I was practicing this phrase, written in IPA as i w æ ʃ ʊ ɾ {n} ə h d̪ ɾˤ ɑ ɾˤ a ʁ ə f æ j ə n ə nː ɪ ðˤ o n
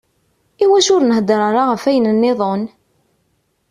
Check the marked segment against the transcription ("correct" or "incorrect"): correct